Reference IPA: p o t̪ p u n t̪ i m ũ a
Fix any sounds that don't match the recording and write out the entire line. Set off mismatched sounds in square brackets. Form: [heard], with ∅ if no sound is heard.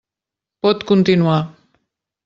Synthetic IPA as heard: p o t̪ [k] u n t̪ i [n] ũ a

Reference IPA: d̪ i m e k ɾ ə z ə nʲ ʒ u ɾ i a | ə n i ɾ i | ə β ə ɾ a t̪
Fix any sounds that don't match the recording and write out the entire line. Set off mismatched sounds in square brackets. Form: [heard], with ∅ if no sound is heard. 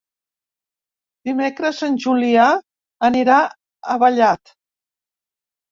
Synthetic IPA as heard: d̪ i m e k ɾ ə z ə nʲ ʒ u [l] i a | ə n i ɾ [a] | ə β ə [ʎ] a t̪

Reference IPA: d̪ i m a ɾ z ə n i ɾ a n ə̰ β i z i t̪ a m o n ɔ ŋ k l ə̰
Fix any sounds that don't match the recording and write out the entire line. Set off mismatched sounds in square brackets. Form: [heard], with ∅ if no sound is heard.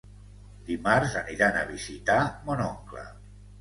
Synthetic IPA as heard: d̪ i m a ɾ z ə n i ɾ a n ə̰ β i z i t̪ a m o n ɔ ŋ k l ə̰

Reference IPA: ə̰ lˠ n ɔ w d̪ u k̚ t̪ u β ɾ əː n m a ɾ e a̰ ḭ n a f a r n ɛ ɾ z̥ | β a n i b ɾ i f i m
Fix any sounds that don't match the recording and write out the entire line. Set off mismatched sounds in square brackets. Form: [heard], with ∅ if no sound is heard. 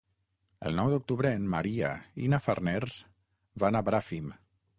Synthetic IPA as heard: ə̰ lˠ n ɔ w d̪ u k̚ t̪ u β ɾ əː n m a ɾ [i] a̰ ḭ n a f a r n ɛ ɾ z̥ | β a n [a] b ɾ [a] f i m

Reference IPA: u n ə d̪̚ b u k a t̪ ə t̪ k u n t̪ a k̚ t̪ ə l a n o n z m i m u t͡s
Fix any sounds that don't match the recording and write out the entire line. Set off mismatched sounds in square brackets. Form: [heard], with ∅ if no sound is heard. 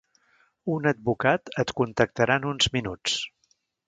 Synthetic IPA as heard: u n ə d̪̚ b u k a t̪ ə t̪ k u n t̪ [ə] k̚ t̪ ə [ɾ] a n [u] n z m i [n] u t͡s

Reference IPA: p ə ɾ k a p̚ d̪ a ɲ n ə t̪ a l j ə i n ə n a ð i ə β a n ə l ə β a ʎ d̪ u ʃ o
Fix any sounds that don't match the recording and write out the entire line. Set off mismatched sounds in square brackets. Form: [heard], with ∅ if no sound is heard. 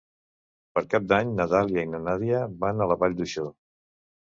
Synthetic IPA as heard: p ə ɾ k a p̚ d̪ a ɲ n ə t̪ a l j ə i n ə n a ð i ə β a n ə l ə β a ʎ d̪ u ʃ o

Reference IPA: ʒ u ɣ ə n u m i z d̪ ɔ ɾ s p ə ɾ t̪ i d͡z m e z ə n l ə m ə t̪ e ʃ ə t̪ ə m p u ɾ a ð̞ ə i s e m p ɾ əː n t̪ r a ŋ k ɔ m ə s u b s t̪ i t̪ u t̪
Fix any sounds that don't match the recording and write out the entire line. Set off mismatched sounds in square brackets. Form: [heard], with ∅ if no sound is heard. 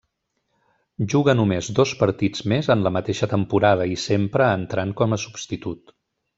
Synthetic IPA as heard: ʒ u ɣ ə n u m [e] z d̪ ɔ [∅] s p ə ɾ t̪ i d͡z m e z ə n l ə m ə t̪ e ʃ ə t̪ ə m p u ɾ a ð̞ ə i s e m p ɾ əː n t̪ [ɾ] a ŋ k ɔ m ə s u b s t̪ i t̪ u t̪

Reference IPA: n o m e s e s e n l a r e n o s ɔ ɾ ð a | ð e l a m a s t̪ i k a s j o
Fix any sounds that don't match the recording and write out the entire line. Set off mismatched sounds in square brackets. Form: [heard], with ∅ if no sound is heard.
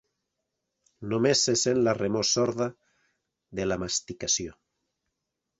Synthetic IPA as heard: n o m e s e s e n l a r e [m] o s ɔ ɾ ð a | ð e l a m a s t̪ i k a s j o

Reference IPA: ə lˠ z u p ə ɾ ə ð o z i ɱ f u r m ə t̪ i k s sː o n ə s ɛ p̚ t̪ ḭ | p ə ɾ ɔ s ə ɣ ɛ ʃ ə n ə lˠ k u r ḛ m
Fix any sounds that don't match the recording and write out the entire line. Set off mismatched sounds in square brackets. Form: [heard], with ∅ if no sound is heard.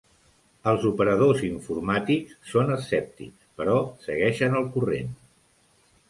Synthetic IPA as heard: ə lˠ z u p ə ɾ ə ð o z i ɱ f u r m [a] t̪ i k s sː o n ə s ɛ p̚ t̪ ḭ | p ə ɾ ɔ s ə ɣ ɛ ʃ ə n ə lˠ k u r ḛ [n]

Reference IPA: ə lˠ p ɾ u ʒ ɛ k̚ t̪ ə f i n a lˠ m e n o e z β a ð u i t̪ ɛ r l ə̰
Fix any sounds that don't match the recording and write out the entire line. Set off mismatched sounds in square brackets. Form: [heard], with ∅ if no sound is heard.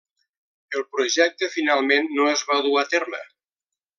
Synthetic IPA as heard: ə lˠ p ɾ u ʒ ɛ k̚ t̪ ə f i n a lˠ m e [nː] o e z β a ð u [a] t̪ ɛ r l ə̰

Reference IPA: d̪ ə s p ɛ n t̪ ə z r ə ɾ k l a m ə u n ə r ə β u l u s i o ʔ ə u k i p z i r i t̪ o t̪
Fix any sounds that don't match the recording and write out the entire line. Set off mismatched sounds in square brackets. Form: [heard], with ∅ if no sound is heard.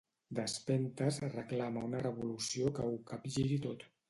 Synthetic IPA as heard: d̪ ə s p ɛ n t̪ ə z r ə [∅] k l a m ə u n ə r ə β u l u s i o [k] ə u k [a] p [ʒ] i [ɾ] i t̪ o t̪

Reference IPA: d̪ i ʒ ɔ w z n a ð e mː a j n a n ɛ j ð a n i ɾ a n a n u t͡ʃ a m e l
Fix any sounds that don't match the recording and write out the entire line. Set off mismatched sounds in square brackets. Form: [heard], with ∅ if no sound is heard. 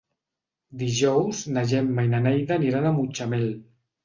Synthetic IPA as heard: d̪ i ʒ ɔ w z n a [ʒ] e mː a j n a n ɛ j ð a n i ɾ a n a [m] u t͡ʃ a m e l

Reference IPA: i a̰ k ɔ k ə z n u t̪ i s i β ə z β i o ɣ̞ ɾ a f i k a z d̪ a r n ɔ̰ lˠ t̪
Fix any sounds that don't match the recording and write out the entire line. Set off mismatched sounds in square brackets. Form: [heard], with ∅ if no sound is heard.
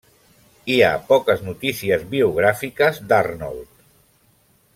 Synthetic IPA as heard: i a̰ [p] ɔ k ə z n u t̪ i s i [∅] ə z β i [u] ɣ̞ ɾ a f i k [ə] z d̪ a r n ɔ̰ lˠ t̪

